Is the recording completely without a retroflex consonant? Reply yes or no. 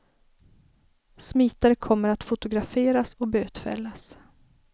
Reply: yes